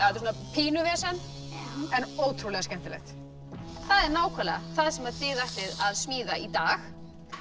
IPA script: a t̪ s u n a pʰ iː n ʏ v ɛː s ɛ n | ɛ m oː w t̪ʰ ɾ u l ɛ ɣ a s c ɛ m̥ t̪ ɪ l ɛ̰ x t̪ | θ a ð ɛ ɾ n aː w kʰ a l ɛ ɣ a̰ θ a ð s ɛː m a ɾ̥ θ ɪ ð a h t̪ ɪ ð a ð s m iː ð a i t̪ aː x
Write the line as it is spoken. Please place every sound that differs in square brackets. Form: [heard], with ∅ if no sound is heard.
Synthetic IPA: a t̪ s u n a pʰ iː n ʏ v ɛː s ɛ n | ɛ [n] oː w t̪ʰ ɾ u l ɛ ɣ a s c ɛ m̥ t̪ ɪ l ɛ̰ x t̪ | θ a ð ɛ ɾ n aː w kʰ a l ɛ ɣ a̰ θ a ð s [ɛ] m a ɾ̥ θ ɪ ð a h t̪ ɪ ð a ð s m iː ð a i t̪ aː x

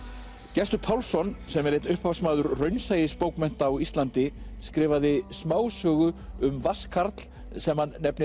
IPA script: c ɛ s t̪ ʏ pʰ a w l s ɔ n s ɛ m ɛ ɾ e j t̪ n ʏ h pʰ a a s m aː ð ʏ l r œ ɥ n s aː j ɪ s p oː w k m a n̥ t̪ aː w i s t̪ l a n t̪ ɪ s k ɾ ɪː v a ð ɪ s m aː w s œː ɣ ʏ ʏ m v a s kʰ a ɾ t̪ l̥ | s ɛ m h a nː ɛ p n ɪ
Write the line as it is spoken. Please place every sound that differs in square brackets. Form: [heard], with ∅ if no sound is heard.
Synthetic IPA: c ɛ s t̪ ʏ pʰ a w l s ɔ n s ɛ m ɛ ɾ e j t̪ n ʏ h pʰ a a s m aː ð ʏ [ɾ] r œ ɥ n s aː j ɪ s p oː w k m [ɛ] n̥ t̪ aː w i s t̪ l a n t̪ ɪ s k ɾ ɪː v a ð ɪ s m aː w s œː ɣ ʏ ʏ m v a s kʰ a ɾ t̪ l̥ | s ɛ m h a nː ɛ p n ɪ

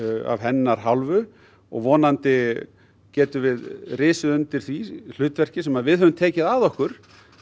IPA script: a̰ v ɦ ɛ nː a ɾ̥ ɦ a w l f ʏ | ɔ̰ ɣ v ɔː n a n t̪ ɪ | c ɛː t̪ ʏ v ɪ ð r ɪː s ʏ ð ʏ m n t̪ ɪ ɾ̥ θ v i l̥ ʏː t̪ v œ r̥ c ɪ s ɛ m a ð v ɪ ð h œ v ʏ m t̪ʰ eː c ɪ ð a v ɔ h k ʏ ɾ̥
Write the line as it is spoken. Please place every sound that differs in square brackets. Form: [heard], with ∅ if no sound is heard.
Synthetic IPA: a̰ v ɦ ɛ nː a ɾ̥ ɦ a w l [v] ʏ | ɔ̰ ɣ v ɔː n a n t̪ ɪ | c ɛː t̪ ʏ v ɪ ð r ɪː s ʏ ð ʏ [∅] n t̪ ɪ ɾ̥ θ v i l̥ ʏː t̪ v [ɛ] r̥ c ɪ s ɛ m a ð v ɪ ð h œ v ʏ m t̪ʰ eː c ɪ ð a [ð] ɔ h k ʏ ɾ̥

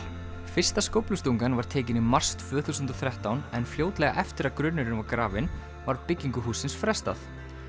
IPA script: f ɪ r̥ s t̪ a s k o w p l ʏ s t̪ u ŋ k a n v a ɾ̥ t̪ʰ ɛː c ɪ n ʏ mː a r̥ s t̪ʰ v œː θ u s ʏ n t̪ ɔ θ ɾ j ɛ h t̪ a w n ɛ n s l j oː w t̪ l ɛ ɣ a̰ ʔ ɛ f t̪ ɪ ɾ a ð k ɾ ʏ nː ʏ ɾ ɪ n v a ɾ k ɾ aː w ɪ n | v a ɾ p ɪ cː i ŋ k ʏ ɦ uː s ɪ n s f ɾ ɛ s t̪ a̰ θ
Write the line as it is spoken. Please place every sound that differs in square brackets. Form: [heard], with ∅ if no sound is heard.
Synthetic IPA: f ɪ r̥ s t̪ a s k o w p l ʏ s t̪ u ŋ k a n v a ɾ̥ t̪ʰ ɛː c ɪ n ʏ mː a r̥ s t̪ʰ v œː θ u s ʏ n t̪ ɔ θ ɾ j ɛ h t̪ a w n ɛ n [f] l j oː w t̪ l ɛ ɣ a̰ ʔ ɛ f t̪ ɪ ɾ a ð k ɾ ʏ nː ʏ ɾ ɪ n v a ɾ k ɾ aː [v] ɪ n | v a ɾ p ɪ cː i ŋ k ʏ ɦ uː s ɪ n s f ɾ ɛ s t̪ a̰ θ

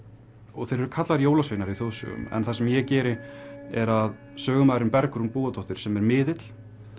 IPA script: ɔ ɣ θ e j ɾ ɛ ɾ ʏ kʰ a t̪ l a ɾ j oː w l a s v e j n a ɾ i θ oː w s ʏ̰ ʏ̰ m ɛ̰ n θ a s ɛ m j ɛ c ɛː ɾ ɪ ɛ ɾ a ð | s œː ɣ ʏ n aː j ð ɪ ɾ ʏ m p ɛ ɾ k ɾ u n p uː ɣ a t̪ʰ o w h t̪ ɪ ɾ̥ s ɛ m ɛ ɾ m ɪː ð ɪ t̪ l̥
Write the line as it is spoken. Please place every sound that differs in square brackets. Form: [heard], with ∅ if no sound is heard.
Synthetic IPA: ɔ ɣ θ e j ɾ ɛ ɾ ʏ kʰ a t̪ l a ɾ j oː w l a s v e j n a ɾ i θ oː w s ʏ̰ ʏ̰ m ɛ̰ n θ a s ɛ m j ɛ c ɛː ɾ ɪ ɛ ɾ a ð | s œː ɣ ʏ [m] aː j ð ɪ ɾ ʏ m p ɛ ɾ k ɾ u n p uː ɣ a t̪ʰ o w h t̪ ɪ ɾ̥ s ɛ m ɛ ɾ m ɪː ð ɪ t̪ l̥

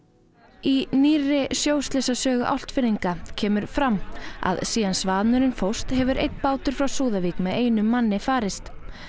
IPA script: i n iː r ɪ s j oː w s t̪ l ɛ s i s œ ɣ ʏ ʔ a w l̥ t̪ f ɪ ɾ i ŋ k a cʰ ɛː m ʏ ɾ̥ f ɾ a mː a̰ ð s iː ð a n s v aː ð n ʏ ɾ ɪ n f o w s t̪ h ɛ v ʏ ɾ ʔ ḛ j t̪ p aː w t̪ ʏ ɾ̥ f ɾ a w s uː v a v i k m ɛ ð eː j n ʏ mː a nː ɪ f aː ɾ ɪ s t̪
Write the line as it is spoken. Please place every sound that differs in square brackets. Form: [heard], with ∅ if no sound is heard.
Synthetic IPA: i n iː r ɪ s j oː w s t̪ l ɛ s [a] s [œː] ɣ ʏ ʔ a w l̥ t̪ f ɪ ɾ i ŋ k a cʰ ɛː m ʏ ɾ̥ f ɾ a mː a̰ ð s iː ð a n s v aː ð n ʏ ɾ ɪ n f o w s t̪ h ɛ v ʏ ɾ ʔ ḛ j t̪ p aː w t̪ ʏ ɾ̥ f ɾ a w s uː [ð] a v i k m ɛ ð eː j n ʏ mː a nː ɪ f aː ɾ ɪ s t̪

